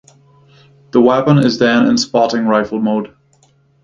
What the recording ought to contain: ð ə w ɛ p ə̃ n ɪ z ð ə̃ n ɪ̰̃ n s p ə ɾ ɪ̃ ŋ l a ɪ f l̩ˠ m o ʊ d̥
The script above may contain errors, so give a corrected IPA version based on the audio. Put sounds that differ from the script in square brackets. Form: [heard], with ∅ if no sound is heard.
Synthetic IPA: ð ə w ɛ p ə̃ n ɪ z ð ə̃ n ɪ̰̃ n s p [ɑ] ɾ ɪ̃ ŋ [ɹ] a ɪ f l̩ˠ m o ʊ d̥